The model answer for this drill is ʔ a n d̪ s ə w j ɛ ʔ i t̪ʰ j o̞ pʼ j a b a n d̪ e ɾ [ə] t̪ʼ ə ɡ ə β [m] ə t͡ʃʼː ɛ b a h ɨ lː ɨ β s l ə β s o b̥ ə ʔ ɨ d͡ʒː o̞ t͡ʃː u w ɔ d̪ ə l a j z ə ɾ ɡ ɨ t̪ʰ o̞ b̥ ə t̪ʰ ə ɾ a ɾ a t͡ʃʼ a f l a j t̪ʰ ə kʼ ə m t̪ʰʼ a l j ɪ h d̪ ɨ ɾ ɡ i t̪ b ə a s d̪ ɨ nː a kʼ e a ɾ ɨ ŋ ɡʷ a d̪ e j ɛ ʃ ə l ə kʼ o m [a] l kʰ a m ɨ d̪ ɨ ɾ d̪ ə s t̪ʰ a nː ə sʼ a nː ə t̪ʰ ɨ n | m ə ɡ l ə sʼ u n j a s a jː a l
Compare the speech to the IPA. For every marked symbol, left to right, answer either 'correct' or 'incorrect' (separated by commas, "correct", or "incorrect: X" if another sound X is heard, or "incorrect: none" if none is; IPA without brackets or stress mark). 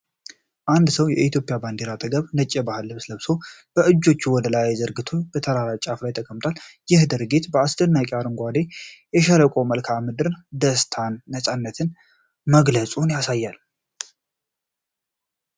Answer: incorrect: a, incorrect: n, incorrect: ə